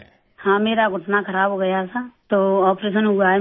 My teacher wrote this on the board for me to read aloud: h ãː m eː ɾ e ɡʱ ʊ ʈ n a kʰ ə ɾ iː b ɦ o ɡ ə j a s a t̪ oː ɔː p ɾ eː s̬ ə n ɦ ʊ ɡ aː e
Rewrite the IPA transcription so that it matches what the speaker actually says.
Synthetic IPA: h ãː m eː ɾ a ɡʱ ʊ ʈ n a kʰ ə ɾ aː b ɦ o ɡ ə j a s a t̪ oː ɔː p ɾ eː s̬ ə n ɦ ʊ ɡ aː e